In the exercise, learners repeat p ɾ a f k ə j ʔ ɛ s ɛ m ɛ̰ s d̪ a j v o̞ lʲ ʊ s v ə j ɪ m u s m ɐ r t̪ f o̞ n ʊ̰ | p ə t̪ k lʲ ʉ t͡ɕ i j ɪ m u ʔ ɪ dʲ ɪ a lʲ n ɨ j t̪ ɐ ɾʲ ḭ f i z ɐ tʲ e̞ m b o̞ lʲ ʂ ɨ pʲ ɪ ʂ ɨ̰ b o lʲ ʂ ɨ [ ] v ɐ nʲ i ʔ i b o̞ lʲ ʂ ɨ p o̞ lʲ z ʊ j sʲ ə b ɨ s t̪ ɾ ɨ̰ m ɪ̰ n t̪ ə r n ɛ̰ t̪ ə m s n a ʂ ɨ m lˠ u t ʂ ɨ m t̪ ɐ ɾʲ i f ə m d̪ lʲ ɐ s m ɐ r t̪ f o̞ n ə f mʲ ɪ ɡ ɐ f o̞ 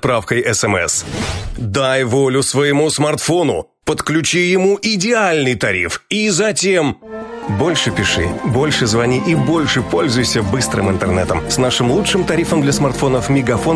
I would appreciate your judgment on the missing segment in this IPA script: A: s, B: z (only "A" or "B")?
B